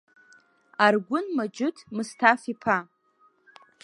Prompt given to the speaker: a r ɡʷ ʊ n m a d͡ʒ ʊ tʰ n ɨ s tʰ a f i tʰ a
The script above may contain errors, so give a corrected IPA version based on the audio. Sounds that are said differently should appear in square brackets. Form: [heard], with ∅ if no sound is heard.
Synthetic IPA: a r ɡʷ ʊ n m a d͡ʒ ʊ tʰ [m] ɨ s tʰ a f i [pʰ] a